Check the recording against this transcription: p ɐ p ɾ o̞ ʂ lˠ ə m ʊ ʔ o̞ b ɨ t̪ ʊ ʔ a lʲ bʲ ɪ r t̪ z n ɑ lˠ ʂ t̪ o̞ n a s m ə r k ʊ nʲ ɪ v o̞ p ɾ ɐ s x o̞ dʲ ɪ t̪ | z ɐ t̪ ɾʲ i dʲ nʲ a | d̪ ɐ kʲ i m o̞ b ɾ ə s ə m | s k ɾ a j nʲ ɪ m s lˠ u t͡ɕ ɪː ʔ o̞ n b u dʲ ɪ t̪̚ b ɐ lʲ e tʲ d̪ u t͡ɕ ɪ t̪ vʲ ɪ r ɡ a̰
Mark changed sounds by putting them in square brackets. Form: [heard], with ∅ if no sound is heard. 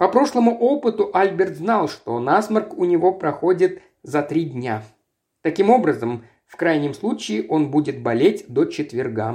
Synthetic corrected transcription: p ɐ p ɾ o̞ ʂ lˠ ə m ʊ ʔ o̞ [p] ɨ t̪ ʊ ʔ a lʲ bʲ ɪ r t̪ z n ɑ lˠ ʂ t̪ o̞ n a s m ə r k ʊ nʲ ɪ v o̞ p ɾ ɐ [∅] x o̞ dʲ ɪ t̪ | z ɐ t̪ ɾʲ i dʲ nʲ a | [t̪] ɐ kʲ i m o̞ b ɾ ə [z] ə m | [f] k ɾ a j nʲ ɪ m s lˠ u t͡ɕ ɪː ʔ o̞ n b u dʲ ɪ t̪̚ b ɐ lʲ e tʲ d̪ [o] t͡ɕ ɪ t̪ vʲ ɪ r ɡ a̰